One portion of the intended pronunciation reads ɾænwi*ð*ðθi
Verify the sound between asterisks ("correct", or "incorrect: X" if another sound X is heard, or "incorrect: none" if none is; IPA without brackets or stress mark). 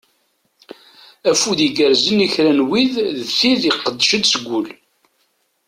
correct